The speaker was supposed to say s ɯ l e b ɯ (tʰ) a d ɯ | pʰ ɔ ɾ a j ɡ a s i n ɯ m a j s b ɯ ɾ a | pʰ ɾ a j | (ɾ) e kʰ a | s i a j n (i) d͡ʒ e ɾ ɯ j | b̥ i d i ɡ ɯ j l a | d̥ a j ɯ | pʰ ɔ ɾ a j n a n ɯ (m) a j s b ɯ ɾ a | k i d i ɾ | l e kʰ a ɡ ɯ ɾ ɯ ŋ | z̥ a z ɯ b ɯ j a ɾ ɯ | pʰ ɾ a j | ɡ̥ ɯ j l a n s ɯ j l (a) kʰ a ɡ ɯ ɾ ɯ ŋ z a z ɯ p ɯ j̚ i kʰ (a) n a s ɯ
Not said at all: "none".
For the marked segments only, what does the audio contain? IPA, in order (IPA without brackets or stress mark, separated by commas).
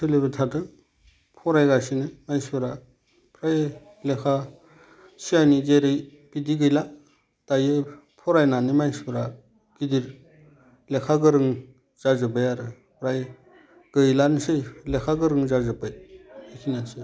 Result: tʰ, l, i, m, e, i